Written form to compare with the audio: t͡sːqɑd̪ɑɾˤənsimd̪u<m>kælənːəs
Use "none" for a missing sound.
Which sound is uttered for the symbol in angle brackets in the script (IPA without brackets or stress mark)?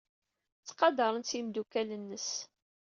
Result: none